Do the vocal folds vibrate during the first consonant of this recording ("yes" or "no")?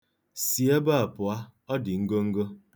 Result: no